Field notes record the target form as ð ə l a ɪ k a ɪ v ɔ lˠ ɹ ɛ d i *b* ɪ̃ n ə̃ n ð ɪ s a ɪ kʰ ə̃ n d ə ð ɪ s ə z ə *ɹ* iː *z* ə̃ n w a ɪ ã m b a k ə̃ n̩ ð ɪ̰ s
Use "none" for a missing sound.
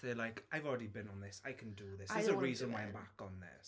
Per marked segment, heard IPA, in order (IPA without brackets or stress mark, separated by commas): b, ɹ, z